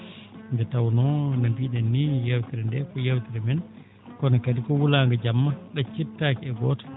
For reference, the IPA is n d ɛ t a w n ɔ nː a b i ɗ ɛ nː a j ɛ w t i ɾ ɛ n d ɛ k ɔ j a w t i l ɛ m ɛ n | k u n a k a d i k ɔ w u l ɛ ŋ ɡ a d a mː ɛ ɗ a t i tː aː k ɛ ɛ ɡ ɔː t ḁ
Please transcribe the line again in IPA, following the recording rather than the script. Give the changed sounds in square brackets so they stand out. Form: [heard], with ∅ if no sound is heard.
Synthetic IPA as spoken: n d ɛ t a w n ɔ [n] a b i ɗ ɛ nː [i] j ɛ w t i ɾ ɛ n d ɛ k ɔ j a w t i [ɾ] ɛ m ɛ n | k [ɔ] n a k a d i k ɔ w u l [a] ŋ ɡ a [d͡ʒ] a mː [a] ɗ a [t͡ʃ] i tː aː k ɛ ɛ ɡ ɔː t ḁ